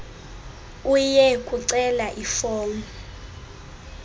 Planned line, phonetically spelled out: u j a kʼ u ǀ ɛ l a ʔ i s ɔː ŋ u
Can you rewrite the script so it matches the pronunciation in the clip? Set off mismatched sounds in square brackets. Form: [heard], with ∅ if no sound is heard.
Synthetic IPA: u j [ɛ] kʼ u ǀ ɛ l a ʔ i [f] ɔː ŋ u